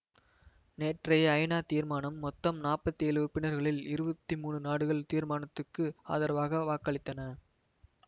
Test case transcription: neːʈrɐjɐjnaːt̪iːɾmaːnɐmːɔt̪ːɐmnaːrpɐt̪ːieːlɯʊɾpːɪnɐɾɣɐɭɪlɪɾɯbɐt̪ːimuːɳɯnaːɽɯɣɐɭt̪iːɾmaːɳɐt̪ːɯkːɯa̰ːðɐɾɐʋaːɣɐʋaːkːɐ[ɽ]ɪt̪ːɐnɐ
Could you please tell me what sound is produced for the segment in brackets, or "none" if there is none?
ɭ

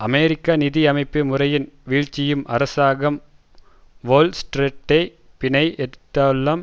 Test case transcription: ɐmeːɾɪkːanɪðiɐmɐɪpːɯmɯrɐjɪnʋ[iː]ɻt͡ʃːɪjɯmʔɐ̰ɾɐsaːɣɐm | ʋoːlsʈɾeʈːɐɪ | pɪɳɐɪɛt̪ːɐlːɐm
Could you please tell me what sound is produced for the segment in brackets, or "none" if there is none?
iː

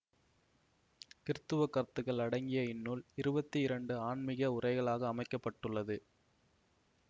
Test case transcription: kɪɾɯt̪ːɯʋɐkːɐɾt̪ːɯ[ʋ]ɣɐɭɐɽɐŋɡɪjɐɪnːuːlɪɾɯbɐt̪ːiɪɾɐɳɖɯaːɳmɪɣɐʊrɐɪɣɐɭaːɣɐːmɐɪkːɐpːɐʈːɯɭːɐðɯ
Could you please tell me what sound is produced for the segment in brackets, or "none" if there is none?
none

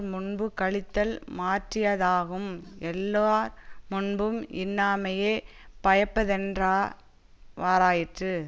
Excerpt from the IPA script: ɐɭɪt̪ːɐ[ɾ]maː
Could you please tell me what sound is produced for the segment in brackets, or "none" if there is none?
l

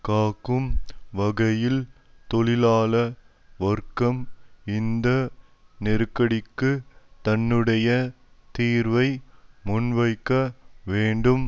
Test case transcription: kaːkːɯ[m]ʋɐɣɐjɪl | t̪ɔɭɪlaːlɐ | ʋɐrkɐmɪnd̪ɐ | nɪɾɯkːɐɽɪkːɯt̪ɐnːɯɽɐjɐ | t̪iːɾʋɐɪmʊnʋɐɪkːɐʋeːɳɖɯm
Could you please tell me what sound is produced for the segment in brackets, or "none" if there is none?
m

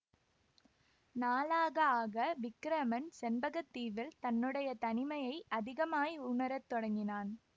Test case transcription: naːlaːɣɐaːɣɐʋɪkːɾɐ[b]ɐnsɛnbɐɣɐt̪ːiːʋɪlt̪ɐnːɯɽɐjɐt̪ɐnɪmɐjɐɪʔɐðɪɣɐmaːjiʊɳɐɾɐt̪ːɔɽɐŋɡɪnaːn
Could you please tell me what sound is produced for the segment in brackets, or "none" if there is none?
m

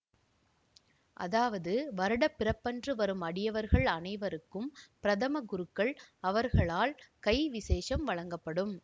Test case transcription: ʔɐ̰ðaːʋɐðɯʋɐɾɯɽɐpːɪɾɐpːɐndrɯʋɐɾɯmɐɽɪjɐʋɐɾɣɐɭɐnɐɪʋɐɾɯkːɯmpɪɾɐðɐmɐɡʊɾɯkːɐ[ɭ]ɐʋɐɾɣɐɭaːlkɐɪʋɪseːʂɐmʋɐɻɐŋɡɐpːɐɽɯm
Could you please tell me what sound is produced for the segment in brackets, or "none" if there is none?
ɭ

